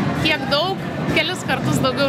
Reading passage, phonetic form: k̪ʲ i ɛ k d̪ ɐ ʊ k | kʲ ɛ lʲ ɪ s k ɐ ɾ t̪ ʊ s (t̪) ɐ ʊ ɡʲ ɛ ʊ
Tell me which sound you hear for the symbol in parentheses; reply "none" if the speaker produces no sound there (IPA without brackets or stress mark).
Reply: d̪